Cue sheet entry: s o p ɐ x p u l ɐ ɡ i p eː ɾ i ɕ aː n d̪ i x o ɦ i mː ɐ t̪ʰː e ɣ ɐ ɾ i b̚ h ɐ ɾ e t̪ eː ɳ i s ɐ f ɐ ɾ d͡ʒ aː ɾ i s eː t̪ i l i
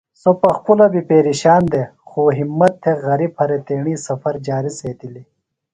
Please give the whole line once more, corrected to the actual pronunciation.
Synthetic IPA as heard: s o p ɐ x p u l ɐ b i p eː ɾ i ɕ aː n d̪ e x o ɦ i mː ɐ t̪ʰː e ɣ ɐ ɾ i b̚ h ɐ ɾ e t̪ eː ɳ i s ɐ f ɐ ɾ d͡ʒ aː ɾ i s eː t̪ i l i